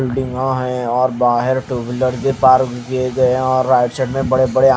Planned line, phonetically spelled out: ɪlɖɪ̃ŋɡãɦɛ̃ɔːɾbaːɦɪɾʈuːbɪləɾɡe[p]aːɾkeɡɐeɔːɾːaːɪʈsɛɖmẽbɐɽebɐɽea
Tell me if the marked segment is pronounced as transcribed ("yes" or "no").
yes